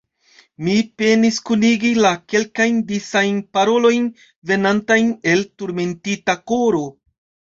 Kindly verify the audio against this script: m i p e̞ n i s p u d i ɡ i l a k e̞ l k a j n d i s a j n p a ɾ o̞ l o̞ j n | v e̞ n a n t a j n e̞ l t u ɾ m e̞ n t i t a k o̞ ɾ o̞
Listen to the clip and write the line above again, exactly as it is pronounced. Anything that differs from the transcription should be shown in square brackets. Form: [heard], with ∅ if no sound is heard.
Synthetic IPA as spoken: m i p e̞ n i s [k] u [n] i ɡ i l a k e̞ l k a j n d i s a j n p a ɾ o̞ l o̞ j n | v e̞ n a n t a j n e̞ l t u ɾ m e̞ n t i t a k o̞ ɾ o̞